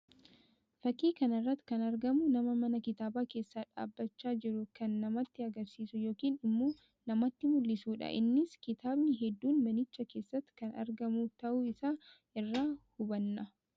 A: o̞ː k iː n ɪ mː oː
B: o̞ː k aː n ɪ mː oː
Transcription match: A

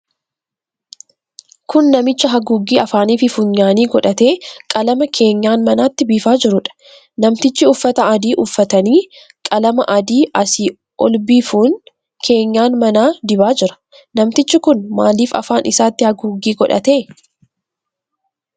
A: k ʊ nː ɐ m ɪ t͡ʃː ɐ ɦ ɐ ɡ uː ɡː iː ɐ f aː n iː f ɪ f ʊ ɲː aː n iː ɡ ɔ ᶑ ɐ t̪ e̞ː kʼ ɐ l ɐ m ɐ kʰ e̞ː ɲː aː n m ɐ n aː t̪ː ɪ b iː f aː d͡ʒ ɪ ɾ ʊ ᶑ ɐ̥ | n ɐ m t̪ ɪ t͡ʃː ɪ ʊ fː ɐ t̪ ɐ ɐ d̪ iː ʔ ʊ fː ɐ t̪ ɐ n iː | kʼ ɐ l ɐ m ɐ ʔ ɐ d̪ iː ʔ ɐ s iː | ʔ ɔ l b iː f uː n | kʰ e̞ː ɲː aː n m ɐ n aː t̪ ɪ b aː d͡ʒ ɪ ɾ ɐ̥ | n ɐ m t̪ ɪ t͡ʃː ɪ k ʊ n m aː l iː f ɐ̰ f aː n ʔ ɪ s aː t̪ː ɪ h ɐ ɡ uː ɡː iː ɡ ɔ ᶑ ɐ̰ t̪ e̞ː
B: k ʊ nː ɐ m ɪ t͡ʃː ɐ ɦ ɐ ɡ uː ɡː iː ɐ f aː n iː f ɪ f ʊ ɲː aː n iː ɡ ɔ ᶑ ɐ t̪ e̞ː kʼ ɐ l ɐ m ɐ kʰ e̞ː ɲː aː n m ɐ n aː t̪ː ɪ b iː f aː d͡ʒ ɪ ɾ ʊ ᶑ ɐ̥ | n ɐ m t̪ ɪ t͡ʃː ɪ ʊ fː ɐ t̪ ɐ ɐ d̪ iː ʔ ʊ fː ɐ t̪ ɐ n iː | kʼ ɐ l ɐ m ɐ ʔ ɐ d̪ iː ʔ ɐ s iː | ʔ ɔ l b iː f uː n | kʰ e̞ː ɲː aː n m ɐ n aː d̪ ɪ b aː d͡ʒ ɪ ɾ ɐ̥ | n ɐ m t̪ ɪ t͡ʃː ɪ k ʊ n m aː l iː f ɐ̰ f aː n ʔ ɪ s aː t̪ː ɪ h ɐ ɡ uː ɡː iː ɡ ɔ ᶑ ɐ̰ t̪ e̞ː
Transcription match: B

